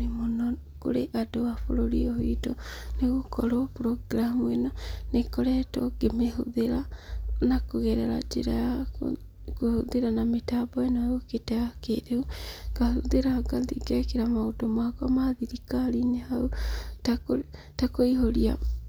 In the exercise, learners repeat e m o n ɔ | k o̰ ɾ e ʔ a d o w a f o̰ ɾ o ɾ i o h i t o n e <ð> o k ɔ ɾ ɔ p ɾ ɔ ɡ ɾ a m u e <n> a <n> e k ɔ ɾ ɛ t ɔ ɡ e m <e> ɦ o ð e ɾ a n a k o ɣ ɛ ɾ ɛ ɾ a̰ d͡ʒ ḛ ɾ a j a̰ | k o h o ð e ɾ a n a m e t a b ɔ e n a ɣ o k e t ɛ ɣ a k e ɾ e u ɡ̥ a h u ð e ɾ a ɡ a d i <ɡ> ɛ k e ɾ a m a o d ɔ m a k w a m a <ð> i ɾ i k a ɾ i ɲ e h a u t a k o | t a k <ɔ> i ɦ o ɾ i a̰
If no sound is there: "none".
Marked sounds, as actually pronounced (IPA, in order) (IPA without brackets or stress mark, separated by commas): ɣ, n, n, e, ɡ, ð, o